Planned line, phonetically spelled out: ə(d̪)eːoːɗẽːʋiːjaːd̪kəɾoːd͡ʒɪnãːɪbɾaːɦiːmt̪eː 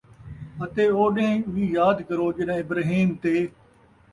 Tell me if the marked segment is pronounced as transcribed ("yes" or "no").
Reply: no